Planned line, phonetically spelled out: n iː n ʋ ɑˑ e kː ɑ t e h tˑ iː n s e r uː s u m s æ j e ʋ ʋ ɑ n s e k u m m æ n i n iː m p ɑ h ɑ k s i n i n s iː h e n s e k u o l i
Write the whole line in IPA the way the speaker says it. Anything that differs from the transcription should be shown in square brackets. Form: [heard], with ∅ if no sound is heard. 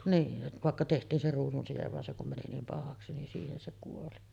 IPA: n iː n ʋ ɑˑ e kː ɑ t e h tˑ iː n s e r uː s u [n] s [i] j e ʋ ʋ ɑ n s e k u m m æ n i n iː m p ɑ h ɑ k s i n i n s iː h e n s e k u o l i